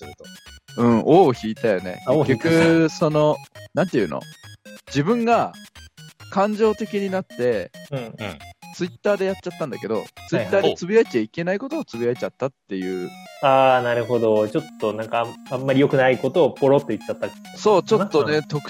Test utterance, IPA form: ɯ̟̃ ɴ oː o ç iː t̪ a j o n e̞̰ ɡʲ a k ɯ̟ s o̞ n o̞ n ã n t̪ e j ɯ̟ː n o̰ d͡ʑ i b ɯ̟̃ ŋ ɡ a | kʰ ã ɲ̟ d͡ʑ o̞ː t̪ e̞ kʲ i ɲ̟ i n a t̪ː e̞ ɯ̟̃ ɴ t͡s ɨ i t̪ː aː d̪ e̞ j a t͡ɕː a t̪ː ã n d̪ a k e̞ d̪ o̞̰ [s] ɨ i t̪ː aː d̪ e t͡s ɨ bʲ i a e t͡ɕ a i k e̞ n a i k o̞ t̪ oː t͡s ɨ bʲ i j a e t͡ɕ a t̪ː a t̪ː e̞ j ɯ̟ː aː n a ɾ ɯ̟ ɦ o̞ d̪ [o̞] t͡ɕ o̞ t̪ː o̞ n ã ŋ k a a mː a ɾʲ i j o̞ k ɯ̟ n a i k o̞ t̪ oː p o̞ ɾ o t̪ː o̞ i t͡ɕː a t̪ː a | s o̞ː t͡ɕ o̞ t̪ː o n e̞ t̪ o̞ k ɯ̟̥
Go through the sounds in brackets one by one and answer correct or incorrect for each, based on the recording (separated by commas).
incorrect, correct